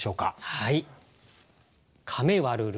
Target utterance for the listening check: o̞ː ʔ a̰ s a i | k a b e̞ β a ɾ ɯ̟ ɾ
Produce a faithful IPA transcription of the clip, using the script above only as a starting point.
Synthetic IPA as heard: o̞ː k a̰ h a i | kʰ a m e̞ β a ɾ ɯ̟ ɾ